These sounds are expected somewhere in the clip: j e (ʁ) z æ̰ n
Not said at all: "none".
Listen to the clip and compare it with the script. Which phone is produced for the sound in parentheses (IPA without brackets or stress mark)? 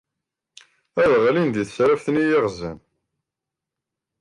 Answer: ʁ